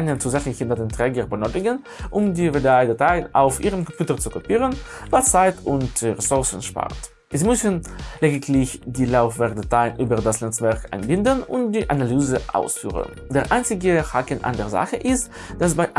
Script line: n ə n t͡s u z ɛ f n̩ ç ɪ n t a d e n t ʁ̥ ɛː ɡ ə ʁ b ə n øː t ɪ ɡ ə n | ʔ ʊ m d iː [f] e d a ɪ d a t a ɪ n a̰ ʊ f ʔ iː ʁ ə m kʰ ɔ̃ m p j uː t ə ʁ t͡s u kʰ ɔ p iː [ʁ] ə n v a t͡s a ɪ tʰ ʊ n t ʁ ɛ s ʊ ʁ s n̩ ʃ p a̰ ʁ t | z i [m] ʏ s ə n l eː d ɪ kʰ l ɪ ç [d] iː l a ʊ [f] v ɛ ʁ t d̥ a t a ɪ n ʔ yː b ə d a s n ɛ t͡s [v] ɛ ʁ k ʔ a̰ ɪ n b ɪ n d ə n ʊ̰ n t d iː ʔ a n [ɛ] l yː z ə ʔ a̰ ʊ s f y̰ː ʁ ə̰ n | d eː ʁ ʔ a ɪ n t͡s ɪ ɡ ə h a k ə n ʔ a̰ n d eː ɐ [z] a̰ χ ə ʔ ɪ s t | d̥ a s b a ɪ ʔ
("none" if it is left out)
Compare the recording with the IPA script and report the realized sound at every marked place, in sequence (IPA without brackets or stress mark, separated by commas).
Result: v, ʁ, m, d, f, v, a, z